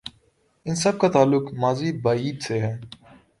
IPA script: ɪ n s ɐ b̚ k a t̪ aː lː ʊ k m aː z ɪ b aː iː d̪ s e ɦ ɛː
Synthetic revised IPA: ɪ n s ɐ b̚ k a t̪ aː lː ʊ k m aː z i b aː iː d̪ s e ɦ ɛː